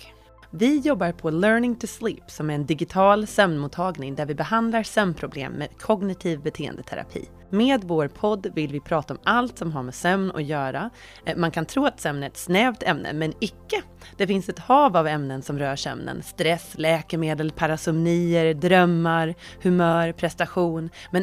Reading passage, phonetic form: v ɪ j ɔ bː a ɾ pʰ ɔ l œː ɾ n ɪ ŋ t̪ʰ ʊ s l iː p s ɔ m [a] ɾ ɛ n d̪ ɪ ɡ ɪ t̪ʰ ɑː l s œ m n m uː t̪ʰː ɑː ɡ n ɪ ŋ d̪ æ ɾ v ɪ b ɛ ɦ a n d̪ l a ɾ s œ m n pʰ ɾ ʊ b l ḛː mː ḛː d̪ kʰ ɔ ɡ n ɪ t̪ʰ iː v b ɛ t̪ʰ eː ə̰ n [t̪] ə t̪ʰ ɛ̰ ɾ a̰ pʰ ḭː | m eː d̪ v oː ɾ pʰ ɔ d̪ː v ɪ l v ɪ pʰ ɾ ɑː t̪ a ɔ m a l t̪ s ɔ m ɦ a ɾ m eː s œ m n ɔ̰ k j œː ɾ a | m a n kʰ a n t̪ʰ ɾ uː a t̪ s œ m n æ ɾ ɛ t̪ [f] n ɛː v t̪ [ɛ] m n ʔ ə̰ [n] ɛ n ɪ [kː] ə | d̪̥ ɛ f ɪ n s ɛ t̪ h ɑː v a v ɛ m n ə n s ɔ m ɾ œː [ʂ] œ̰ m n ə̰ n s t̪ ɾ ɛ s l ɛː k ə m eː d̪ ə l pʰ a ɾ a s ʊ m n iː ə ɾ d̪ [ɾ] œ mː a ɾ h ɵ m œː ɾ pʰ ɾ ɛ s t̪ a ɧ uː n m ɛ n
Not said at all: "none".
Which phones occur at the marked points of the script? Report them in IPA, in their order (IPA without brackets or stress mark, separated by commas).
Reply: æ, d̪, s, ɛ, m, kː, ʂ, ɾ